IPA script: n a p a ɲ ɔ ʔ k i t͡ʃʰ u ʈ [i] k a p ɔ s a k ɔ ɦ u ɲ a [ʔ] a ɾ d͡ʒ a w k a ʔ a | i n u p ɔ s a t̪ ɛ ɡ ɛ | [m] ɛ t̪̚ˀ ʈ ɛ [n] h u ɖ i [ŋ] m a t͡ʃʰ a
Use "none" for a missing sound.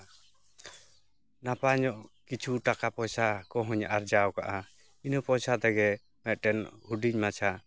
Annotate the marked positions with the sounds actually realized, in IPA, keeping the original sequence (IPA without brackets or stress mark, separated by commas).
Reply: a, ʔ, m, n, ɲ